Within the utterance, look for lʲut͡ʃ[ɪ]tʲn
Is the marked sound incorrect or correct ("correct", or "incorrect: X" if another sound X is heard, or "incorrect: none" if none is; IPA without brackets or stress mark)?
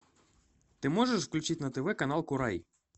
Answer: incorrect: i